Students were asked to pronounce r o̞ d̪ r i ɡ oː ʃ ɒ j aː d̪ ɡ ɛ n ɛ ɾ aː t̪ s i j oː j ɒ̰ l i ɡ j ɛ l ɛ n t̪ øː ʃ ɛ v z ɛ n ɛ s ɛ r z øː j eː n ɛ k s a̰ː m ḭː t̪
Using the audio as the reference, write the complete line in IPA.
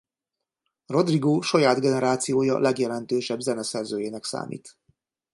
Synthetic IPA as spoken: r o̞ d̪ r i ɡ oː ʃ ɒ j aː d̪ ɡ ɛ n ɛ ɾ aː t̪ s i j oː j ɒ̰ l ɛ ɡ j ɛ l ɛ n t̪ øː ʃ ɛ b z ɛ n ɛ s ɛ r z øː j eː n ɛ k s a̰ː m ḭː t̪